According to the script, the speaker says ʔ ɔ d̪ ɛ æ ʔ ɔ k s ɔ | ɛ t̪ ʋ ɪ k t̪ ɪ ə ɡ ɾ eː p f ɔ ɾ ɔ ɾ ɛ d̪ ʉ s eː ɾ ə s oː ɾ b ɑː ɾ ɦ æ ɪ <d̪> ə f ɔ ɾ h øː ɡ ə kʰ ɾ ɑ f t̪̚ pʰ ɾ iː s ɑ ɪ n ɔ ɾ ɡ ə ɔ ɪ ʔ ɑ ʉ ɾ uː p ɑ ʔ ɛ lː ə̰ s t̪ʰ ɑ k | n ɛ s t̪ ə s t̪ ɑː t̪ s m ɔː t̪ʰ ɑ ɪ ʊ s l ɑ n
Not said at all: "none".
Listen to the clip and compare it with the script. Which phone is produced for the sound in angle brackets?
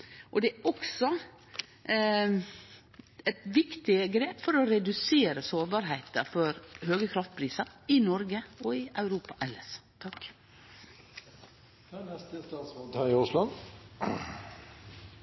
t̪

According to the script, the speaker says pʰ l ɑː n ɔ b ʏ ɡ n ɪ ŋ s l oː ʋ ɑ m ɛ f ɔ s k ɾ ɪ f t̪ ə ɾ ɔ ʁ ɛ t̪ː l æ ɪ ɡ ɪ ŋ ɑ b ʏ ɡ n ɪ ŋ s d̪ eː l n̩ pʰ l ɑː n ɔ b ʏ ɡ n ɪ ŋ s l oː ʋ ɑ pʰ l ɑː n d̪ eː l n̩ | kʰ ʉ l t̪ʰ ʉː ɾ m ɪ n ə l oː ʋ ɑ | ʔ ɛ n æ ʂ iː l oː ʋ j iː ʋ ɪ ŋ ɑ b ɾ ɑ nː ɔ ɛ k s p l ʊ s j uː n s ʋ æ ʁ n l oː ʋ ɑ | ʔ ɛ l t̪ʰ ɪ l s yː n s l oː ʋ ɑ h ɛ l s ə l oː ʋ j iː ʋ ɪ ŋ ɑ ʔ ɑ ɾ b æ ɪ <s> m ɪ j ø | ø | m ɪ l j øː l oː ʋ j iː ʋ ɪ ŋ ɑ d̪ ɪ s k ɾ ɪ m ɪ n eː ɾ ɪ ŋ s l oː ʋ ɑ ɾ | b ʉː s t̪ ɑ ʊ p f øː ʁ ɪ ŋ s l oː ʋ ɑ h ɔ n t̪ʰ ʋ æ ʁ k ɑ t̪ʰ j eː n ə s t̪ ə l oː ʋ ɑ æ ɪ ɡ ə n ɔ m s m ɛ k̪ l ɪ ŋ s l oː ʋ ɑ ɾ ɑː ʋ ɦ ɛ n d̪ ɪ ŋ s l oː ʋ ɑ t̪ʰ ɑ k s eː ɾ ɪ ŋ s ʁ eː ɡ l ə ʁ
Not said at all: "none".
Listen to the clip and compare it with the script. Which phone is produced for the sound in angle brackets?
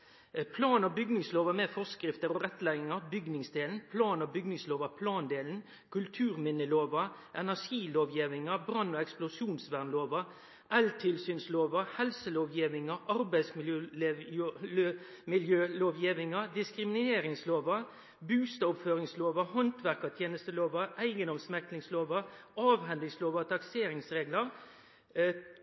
s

